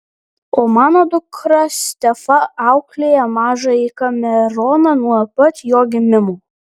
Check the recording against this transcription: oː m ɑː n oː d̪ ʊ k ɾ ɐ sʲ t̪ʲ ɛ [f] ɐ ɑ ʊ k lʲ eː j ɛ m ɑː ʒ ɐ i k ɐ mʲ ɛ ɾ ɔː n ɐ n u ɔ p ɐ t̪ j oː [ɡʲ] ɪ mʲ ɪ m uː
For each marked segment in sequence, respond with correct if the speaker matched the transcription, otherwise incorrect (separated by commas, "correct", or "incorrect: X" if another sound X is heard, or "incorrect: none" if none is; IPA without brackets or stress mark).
correct, correct